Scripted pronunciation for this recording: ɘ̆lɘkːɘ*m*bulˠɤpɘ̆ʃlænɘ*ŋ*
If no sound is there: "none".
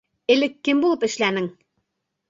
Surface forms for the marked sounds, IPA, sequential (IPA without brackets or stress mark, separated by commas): m, ŋ